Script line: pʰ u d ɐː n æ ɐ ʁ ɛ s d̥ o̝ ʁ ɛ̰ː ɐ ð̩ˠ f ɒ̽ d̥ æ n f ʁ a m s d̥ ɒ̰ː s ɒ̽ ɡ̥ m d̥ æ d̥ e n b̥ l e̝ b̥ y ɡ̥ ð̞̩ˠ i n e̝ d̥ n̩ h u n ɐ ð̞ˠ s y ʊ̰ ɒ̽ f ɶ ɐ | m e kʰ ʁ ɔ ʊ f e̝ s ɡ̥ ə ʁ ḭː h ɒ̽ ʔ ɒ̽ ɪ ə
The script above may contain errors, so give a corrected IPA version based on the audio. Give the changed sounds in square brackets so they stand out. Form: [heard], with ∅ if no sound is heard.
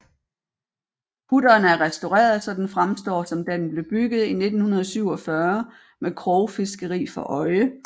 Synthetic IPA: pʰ u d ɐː n æ ɐ ʁ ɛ s d̥ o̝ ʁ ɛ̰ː ɐ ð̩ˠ [s] ɒ̽ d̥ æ n f ʁ a m s d̥ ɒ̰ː s ɒ̽ [∅] m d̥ æ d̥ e n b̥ l e̝ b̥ y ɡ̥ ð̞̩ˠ i n e̝ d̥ n̩ h u n ɐ ð̞ˠ s y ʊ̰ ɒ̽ f ɶ ɐ | m e kʰ ʁ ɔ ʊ f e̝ s ɡ̥ ə ʁ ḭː [f] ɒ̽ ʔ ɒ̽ ɪ ə